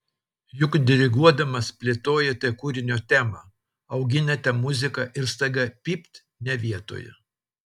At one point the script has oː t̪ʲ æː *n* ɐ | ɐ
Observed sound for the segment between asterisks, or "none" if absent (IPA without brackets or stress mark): m